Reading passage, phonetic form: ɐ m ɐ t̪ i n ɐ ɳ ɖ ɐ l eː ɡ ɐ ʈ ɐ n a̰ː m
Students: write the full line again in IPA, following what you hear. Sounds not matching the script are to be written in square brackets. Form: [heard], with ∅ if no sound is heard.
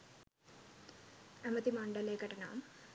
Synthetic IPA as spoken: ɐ m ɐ t̪ i [m] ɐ ɳ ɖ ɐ l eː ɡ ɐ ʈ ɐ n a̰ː m